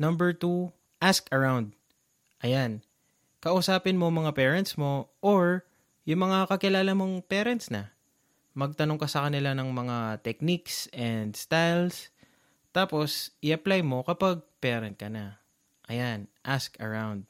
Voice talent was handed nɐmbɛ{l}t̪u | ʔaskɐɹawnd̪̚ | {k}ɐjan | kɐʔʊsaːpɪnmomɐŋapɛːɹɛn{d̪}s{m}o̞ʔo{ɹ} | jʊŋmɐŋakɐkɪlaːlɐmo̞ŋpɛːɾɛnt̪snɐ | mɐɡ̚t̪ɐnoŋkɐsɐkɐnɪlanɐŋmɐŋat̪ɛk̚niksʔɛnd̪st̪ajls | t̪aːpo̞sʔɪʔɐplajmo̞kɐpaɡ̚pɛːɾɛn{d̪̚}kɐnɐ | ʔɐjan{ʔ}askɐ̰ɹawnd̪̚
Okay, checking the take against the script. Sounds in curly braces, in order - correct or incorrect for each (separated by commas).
incorrect, incorrect, incorrect, correct, correct, incorrect, correct